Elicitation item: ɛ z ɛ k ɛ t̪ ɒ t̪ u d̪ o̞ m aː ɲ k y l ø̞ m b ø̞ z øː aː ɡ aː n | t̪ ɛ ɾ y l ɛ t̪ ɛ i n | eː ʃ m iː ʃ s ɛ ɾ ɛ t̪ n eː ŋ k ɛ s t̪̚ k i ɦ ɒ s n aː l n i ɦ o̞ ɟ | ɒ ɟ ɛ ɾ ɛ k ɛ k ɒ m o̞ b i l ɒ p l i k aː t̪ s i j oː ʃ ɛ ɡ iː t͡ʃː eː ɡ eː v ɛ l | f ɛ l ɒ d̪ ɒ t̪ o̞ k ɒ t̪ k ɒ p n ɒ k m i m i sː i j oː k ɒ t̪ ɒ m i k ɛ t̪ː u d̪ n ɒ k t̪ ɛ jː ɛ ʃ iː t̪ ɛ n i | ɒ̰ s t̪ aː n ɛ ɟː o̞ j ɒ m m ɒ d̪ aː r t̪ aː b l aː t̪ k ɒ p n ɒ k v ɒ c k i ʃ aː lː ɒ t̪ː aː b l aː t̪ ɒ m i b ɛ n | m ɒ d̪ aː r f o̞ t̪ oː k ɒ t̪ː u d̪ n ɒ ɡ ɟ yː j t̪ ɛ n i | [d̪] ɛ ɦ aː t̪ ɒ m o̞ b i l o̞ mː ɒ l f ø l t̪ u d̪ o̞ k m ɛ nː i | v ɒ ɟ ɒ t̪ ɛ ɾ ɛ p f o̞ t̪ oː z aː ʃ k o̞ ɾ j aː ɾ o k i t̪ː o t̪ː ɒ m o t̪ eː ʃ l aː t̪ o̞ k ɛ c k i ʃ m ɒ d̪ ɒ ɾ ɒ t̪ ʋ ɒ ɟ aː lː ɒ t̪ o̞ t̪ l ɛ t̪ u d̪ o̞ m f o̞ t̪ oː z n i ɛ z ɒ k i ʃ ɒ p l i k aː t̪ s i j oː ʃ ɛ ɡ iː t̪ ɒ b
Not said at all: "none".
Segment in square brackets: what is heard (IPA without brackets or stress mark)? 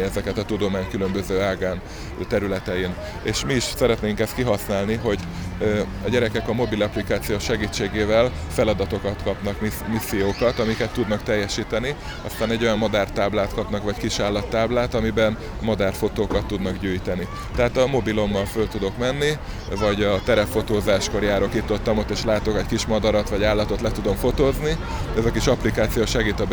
t̪